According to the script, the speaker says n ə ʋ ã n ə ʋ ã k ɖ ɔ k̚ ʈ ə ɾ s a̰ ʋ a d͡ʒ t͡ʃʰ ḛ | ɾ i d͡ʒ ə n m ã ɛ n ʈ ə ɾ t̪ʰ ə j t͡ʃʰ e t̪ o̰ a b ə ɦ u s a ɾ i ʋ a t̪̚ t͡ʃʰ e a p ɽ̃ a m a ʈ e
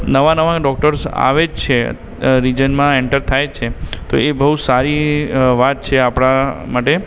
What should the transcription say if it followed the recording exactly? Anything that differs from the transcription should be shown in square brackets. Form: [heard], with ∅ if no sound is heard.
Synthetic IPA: n ə ʋ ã n ə ʋ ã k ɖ ɔ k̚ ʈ ə ɾ s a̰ ʋ [e] d͡ʒ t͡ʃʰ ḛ | ɾ i d͡ʒ ə n m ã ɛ [ɳ] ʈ ə ɾ t̪ʰ [a] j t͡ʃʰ e t̪ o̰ [e] b ə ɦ u s a ɾ i ʋ a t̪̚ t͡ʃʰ e a p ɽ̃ a m a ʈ e